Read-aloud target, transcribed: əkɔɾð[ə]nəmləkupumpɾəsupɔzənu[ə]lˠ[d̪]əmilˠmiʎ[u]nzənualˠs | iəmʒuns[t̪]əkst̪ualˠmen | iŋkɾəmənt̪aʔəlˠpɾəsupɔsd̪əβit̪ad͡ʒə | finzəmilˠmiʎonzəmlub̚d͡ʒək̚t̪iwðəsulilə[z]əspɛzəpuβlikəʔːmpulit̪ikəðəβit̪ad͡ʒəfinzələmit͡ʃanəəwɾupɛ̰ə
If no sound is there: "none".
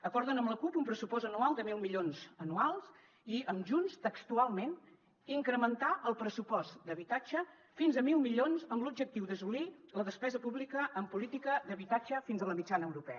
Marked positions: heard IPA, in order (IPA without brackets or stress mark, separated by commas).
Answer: ə, a, d̪, o, t̪, ð